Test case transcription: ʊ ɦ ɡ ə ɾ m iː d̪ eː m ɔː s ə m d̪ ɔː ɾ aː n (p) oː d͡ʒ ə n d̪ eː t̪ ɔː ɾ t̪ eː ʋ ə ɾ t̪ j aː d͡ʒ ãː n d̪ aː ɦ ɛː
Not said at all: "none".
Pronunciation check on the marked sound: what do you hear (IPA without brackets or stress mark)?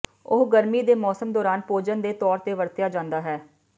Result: p